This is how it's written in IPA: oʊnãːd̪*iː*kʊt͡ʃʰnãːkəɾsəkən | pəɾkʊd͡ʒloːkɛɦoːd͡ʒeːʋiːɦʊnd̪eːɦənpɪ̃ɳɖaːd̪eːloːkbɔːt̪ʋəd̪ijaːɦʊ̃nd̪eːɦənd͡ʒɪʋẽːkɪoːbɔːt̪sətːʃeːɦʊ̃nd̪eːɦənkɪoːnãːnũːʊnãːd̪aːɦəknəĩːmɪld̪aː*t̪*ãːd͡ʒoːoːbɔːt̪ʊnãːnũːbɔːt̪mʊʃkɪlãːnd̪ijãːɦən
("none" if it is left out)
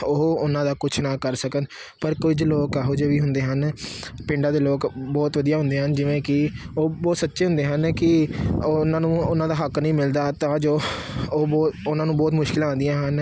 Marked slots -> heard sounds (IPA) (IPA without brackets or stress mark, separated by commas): aː, t̪